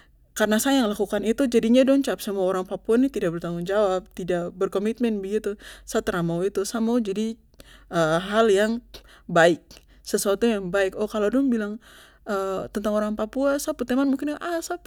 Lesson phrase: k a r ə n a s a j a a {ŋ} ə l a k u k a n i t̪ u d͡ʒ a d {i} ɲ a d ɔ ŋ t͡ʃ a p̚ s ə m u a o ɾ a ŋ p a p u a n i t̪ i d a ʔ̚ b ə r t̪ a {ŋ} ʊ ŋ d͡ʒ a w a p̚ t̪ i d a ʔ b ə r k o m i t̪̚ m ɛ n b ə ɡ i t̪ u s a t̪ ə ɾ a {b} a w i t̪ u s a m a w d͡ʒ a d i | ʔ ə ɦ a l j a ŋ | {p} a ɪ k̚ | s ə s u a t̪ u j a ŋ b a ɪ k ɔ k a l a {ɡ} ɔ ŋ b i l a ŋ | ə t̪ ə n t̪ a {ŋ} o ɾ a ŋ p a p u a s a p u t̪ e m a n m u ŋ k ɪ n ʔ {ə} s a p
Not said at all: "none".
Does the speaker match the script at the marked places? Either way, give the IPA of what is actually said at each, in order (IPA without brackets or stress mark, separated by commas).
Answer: ŋ, i, ŋ, m, b, d, ŋ, a